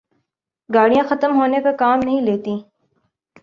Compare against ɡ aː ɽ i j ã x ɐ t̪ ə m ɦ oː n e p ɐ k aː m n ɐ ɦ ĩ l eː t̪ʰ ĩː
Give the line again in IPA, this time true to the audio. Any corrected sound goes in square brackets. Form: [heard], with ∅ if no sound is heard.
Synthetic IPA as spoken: ɡ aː ɽ i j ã x ɐ t̪ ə m ɦ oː n e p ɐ k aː m n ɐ ɦ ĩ l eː [t̪] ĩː